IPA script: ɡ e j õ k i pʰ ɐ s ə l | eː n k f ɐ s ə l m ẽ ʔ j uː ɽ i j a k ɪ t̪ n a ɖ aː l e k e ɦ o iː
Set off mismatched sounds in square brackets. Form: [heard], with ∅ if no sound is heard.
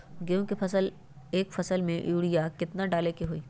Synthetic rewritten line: ɡ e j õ k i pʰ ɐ s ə l | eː [∅] k f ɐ s ə l m ẽ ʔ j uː ɽ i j a k ɪ t̪ n a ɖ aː l e k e ɦ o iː